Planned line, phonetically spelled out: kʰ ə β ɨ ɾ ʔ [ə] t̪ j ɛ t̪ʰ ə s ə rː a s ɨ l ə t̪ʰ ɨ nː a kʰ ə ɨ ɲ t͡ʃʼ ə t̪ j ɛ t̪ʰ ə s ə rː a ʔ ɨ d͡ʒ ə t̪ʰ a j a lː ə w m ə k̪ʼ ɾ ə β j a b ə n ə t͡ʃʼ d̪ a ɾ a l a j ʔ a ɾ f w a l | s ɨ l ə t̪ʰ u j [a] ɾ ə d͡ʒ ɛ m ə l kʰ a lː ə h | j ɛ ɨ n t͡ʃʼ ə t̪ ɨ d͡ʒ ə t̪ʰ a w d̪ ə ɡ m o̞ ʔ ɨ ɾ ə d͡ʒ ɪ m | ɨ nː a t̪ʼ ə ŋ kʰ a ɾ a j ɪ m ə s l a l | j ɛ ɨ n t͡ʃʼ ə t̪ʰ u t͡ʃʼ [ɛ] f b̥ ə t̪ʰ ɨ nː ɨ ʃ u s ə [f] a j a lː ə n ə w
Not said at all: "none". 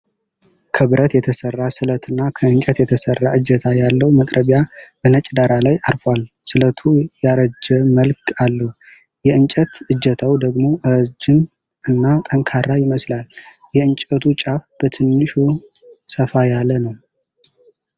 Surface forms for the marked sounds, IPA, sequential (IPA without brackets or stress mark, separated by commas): ə, a, a, f